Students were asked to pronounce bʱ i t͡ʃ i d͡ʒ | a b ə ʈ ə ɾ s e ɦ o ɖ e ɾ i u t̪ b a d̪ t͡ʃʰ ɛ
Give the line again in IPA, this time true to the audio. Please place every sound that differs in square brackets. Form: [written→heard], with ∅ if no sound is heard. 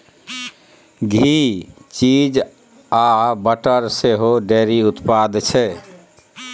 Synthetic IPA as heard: [bʱ→ɡʱ] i t͡ʃ i d͡ʒ | a b ə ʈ ə ɾ s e ɦ o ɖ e ɾ i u t̪ [b→p] a d̪ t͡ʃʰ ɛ